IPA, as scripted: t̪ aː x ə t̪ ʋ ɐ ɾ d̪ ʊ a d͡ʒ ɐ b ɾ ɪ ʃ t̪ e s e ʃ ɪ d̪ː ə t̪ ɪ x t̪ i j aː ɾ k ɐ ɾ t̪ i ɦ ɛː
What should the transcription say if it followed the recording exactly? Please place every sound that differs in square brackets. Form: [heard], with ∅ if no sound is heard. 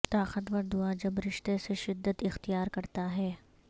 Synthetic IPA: t̪ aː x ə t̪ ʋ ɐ ɾ d̪ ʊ a d͡ʒ ɐ b ɾ ɪ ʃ t̪ e s e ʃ ɪ d̪ː ə t̪ ɪ x t̪ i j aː ɾ k ɐ ɾ t̪ [a] ɦ ɛː